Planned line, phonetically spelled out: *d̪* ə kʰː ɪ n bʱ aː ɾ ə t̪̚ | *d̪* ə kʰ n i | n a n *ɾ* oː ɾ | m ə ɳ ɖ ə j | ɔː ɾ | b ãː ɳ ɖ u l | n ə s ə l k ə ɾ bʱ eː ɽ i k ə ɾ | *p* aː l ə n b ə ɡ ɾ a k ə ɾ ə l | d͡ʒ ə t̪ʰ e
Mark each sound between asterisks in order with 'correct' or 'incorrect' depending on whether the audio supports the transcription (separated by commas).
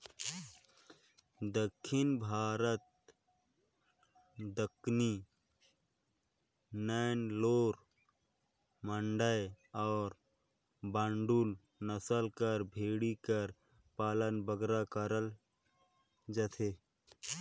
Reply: correct, correct, incorrect, correct